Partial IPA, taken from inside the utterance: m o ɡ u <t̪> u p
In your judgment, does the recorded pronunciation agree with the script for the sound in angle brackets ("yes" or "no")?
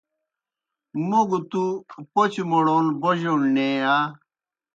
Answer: yes